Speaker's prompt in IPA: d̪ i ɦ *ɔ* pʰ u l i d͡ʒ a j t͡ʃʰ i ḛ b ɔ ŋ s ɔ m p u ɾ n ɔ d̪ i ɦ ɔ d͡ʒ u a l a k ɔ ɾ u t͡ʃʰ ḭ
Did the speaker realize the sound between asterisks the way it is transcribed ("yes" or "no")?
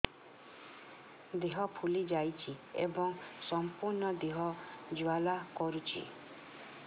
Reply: yes